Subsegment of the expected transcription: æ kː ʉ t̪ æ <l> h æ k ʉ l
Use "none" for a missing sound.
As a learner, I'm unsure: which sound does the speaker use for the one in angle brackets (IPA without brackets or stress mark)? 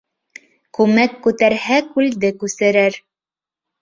ɾ